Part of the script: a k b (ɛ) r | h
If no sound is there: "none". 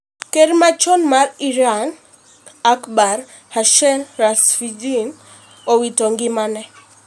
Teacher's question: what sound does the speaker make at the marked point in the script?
a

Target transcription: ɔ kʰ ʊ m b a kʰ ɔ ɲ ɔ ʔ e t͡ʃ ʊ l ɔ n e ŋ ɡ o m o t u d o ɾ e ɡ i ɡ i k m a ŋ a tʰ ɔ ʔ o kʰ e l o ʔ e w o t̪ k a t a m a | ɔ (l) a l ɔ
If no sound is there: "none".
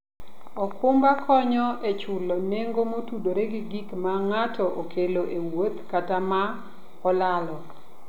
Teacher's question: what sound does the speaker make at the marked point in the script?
l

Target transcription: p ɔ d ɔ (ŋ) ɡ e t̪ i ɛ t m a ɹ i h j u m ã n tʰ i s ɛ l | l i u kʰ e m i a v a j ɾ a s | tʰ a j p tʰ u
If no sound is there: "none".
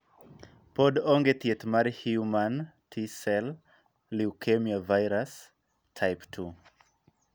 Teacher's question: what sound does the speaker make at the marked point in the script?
ŋ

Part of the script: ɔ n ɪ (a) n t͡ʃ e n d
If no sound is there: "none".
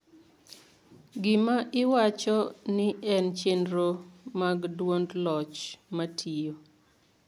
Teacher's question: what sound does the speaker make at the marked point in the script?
ɛ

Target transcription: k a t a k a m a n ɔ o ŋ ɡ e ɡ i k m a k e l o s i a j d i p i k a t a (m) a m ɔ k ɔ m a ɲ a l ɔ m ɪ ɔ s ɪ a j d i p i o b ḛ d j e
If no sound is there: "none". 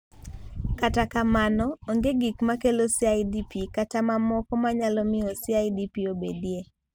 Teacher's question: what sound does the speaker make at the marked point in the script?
m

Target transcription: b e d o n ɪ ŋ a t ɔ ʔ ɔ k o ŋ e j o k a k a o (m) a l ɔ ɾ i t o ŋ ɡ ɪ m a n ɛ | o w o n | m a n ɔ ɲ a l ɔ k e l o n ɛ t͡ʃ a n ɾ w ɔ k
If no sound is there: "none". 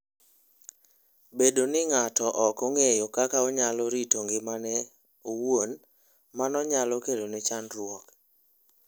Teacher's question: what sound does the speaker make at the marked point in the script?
ɲ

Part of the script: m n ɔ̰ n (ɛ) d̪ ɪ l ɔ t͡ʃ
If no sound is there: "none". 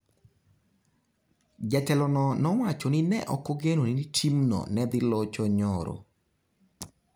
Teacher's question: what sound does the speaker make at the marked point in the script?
ɛ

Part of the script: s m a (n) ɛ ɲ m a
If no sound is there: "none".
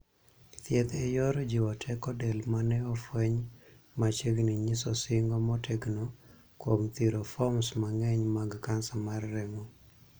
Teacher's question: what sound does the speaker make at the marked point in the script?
ŋ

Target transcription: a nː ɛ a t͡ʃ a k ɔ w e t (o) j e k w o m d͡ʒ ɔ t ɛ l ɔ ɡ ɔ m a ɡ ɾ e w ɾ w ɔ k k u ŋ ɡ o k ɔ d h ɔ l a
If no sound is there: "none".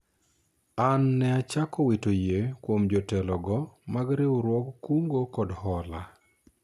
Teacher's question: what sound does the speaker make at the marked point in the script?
o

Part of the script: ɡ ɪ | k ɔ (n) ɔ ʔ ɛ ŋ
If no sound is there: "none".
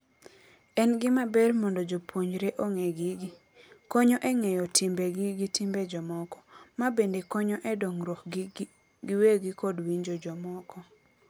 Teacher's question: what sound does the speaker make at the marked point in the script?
ɲ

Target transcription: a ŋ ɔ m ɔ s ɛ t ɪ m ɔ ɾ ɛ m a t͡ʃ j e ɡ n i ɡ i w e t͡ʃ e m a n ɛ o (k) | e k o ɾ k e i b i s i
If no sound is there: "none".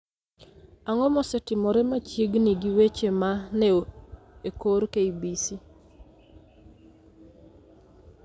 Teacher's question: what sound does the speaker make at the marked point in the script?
none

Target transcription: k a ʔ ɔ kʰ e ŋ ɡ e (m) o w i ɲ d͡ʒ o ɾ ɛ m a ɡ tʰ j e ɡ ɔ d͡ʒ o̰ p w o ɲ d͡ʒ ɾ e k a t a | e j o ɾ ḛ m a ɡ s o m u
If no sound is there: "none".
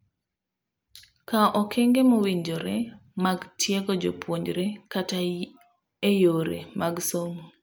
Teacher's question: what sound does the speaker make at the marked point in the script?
m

